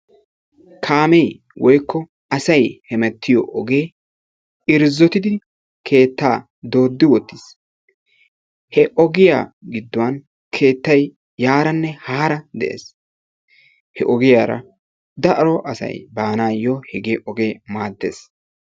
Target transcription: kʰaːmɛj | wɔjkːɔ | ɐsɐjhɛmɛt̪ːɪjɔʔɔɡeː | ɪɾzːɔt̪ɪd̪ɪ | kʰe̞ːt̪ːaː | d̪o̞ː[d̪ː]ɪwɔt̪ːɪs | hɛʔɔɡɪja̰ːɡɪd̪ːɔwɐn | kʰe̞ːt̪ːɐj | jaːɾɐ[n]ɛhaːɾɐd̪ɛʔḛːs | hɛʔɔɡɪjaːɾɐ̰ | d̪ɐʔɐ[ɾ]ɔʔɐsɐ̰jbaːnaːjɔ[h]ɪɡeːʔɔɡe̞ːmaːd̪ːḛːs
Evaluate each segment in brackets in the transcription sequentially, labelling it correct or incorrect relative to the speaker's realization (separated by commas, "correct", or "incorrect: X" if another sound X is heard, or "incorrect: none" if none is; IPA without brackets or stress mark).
correct, incorrect: nː, correct, correct